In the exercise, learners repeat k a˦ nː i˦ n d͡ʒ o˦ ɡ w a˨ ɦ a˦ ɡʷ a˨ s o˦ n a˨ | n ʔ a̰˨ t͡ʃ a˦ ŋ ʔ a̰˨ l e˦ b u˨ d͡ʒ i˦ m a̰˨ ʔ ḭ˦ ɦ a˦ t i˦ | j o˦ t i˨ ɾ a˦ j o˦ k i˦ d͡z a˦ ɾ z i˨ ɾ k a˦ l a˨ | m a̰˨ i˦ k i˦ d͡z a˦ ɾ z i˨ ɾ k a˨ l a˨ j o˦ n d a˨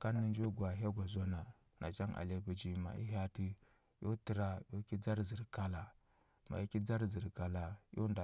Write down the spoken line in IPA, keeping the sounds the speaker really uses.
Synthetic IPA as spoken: k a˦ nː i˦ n d͡ʒ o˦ ɡ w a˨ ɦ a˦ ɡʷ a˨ z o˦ n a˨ | n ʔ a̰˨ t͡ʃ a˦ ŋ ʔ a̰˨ l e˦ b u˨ d͡ʒ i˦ m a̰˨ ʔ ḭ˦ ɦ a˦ t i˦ | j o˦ t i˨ ɾ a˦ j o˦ k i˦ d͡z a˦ ɾ z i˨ ɾ k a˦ l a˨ | m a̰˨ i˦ k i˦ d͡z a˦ ɾ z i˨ ɾ k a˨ l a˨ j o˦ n d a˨